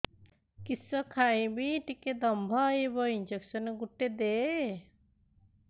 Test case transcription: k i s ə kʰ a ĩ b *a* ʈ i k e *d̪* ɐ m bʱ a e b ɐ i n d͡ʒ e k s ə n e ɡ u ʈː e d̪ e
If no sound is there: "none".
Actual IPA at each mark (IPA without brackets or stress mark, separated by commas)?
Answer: i, d̪